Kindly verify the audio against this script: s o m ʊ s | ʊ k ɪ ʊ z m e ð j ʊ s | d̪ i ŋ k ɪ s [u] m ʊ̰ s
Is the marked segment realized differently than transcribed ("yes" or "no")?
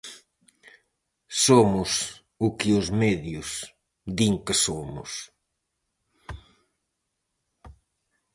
yes